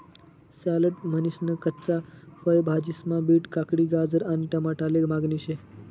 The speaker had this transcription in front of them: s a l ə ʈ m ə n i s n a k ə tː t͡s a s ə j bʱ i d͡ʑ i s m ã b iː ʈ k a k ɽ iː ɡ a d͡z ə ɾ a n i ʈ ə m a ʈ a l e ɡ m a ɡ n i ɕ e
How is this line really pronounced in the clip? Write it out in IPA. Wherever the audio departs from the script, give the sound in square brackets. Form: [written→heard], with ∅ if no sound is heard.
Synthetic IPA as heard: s a l ə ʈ m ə n i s n [a→ə] k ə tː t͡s a [s→f] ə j bʱ [i→a] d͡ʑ i s m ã b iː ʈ k a k ɽ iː ɡ a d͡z ə ɾ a n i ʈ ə m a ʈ a l e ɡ m a ɡ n i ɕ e